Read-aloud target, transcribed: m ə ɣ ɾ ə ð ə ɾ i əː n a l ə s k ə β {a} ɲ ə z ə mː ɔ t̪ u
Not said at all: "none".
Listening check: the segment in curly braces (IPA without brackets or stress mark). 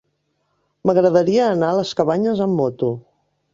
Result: a